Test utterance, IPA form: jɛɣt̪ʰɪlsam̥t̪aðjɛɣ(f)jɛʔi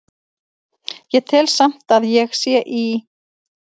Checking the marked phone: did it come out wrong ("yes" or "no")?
yes